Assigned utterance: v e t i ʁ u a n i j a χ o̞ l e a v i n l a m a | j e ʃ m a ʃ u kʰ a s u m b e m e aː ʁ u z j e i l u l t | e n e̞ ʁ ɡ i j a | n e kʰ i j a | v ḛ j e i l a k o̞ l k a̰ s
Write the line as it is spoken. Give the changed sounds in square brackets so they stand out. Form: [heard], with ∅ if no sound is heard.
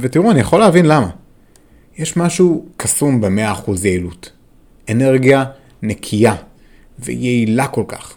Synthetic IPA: v e t i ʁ u a n i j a χ o̞ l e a v i n l a m a | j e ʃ m a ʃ u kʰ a s u m b e m e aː [χ] u z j e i l u [∅] t | e n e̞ ʁ ɡ i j a | n e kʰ i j a | v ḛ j e i l a k o̞ l k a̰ [χ]